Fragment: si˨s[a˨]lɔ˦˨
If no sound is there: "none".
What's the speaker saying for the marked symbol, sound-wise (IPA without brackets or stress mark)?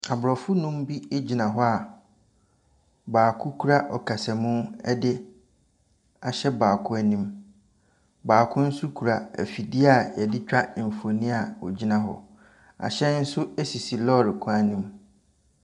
i˨